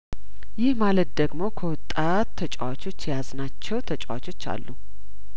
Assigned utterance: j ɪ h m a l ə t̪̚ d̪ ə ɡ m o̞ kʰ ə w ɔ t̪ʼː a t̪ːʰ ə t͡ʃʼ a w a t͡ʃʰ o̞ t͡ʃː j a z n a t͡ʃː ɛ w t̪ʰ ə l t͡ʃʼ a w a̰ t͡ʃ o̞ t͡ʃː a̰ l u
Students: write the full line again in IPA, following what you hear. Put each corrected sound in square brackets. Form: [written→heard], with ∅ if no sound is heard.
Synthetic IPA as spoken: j ɪ h m a l ə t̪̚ d̪ ə ɡ m o̞ kʰ ə w ɔ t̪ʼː a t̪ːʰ ə t͡ʃʼ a w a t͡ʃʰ o̞ t͡ʃː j a z n a t͡ʃː ɛ w t̪ʰ ə [l→∅] t͡ʃʼ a w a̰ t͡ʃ o̞ t͡ʃː a̰ [l→lː] u